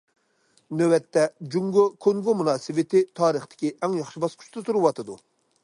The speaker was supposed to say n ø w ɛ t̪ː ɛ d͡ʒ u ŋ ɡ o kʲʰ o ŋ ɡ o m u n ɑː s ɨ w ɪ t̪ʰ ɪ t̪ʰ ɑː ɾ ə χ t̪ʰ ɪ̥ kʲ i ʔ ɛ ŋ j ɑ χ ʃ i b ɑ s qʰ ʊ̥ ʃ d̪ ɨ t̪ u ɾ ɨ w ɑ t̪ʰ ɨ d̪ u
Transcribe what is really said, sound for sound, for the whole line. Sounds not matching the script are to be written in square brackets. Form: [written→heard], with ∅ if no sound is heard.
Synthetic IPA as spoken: n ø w ɛ t̪ː ɛ d͡ʒ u ŋ ɡ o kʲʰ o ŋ ɡ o m u n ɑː s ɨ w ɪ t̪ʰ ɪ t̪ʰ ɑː ɾ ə χ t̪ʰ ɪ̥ kʲ i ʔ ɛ ŋ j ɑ χ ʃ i b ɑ s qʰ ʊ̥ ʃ [d̪→t̪] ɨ t̪ u ɾ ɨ w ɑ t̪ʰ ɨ d̪ u

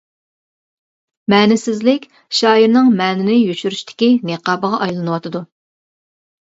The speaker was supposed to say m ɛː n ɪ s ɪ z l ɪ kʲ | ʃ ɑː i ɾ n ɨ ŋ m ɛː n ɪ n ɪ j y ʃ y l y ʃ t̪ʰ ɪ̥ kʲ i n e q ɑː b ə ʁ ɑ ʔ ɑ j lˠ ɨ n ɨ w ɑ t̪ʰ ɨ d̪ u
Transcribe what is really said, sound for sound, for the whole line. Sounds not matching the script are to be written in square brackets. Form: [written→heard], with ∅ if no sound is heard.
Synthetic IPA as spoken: m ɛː n ɪ s ɪ z l ɪ kʲ | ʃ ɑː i ɾ n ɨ ŋ m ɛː n ɪ n ɪ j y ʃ y [l→ɾ] y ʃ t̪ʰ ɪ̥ kʲ i n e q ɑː b ə ʁ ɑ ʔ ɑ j lˠ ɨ n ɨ w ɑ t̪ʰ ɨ d̪ u

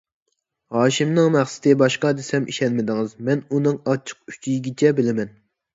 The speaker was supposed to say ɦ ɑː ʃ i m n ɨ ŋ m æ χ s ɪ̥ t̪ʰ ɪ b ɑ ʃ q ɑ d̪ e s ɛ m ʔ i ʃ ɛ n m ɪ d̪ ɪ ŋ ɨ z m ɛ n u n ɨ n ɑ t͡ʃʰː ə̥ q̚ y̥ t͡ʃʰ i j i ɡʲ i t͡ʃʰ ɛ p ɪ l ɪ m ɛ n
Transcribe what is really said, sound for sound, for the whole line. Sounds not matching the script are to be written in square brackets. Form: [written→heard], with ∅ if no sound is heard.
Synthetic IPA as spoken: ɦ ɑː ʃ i m n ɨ ŋ m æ χ s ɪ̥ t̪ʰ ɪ b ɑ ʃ q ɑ d̪ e s ɛ m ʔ i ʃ ɛ n m ɪ d̪ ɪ ŋ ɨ z m ɛ n u n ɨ [n→ŋ] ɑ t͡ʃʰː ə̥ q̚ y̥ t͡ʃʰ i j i ɡʲ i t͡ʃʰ ɛ [p→b] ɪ l ɪ m ɛ n

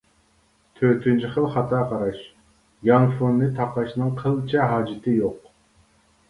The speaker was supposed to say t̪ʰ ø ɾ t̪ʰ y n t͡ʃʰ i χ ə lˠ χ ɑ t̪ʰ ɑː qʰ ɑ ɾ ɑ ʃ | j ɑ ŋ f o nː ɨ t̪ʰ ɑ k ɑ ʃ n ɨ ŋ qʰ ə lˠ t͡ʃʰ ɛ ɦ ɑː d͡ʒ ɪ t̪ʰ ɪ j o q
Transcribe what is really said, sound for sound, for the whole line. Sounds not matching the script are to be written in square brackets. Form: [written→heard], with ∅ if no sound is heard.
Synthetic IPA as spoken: t̪ʰ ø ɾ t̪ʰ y n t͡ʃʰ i χ ə lˠ χ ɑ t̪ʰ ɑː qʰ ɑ ɾ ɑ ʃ | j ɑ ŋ f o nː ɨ t̪ʰ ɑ [k→q] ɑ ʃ n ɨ ŋ qʰ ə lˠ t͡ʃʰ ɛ ɦ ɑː d͡ʒ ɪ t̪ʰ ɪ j o q

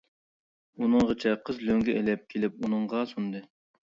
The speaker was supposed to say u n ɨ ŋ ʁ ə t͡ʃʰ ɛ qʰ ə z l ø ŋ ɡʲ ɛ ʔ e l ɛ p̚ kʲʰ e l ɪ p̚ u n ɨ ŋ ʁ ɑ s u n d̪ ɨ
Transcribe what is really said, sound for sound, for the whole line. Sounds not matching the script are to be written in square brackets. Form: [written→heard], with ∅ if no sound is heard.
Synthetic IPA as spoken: u n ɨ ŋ ʁ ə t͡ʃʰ ɛ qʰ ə z l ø ŋ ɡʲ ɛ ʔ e l ɛ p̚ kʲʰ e l ɪ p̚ u n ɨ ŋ ʁ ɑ s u n d̪ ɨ

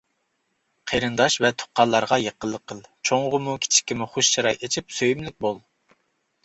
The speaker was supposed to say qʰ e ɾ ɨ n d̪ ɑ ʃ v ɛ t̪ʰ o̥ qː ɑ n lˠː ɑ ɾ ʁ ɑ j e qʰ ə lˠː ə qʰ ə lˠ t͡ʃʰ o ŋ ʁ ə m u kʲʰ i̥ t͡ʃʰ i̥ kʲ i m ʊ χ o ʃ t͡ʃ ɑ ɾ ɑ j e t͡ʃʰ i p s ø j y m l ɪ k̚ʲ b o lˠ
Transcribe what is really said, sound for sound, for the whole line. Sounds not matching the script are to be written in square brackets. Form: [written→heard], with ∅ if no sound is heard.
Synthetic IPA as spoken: qʰ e ɾ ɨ n d̪ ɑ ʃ v ɛ t̪ʰ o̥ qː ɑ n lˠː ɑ ɾ ʁ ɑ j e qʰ ə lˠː ə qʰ ə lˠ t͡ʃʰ o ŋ ʁ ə m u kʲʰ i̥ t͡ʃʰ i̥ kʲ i m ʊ χ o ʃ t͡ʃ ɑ ɾ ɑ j e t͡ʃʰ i p s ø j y m l ɪ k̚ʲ b o lˠ

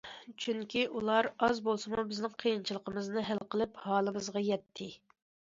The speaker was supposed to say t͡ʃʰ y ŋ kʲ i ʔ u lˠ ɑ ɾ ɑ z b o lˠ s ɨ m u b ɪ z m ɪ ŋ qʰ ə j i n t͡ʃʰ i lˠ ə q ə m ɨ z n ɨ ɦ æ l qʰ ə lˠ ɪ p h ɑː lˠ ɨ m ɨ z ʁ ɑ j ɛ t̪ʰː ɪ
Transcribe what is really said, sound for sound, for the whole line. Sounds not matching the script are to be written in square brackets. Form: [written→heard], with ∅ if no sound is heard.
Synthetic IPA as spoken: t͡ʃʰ y ŋ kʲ i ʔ u lˠ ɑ ɾ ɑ z b o lˠ s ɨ m u b ɪ z [m→n] ɪ ŋ qʰ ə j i n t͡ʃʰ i lˠ ə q ə m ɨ z n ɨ ɦ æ l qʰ ə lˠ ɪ p h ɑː lˠ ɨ m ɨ z ʁ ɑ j ɛ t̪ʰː ɪ

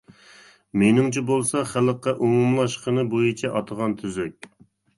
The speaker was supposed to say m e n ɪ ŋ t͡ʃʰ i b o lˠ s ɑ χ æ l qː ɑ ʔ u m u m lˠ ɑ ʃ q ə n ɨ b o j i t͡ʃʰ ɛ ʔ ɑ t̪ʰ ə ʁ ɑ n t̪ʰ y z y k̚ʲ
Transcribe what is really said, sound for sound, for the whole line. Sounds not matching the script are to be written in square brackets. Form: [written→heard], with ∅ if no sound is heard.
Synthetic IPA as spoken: m e n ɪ ŋ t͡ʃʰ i b o lˠ s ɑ χ æ l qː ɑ ʔ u m u m lˠ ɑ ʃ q ə n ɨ b o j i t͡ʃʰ ɛ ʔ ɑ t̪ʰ ə ʁ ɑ n t̪ʰ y z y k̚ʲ

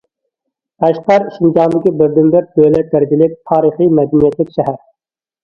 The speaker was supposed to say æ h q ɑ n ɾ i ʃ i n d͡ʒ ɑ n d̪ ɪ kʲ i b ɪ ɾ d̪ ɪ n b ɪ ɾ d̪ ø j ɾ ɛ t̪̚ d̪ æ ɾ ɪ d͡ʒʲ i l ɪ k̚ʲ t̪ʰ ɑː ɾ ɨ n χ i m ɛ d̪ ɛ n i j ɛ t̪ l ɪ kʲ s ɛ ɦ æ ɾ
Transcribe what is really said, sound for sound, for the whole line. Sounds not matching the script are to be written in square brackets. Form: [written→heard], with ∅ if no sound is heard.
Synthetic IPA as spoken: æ [h→ʃ] q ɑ [n→∅] ɾ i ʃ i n d͡ʒ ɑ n d̪ ɪ kʲ i b ɪ ɾ d̪ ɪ n b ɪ ɾ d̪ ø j [ɾ→l] ɛ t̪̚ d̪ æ ɾ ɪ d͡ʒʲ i l ɪ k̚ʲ t̪ʰ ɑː ɾ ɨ [n→∅] χ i m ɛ d̪ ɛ n i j ɛ t̪ l ɪ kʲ [s→ʃ] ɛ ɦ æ ɾ

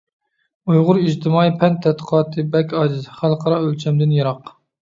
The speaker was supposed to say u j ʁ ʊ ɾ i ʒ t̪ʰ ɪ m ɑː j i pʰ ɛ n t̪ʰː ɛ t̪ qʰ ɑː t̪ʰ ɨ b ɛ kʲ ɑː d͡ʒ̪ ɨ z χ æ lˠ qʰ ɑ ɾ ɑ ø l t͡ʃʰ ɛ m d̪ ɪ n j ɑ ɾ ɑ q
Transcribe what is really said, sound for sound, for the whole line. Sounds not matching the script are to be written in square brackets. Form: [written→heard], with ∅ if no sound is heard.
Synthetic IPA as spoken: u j ʁ ʊ ɾ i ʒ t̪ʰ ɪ m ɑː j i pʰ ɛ n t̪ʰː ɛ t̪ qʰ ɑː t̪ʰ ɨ b ɛ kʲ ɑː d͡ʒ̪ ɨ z χ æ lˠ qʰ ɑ ɾ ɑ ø l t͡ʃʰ ɛ m d̪ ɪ n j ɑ ɾ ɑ q

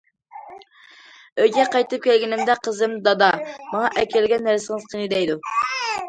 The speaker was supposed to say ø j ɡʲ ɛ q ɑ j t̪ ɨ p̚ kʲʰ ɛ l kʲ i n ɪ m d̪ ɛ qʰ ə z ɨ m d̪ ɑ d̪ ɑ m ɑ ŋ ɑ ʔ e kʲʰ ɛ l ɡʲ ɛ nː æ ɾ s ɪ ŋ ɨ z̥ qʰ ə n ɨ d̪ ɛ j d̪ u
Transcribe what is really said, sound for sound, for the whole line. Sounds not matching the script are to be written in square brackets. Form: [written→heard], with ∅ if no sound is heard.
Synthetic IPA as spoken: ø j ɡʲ ɛ q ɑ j t̪ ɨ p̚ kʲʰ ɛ l [kʲ→ɡʲ] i n ɪ m d̪ ɛ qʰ ə z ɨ m d̪ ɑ d̪ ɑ m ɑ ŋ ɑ ʔ [e→ɛ] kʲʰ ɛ l ɡʲ ɛ nː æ ɾ s ɪ ŋ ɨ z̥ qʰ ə n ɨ d̪ ɛ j d̪ u

